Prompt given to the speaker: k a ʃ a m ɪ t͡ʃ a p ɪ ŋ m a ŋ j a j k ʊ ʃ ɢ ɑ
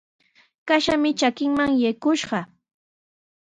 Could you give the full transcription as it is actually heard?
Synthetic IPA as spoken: k a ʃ a m ɪ t͡ʃ a k ɪ ŋ m a ŋ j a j k ʊ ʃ ɢ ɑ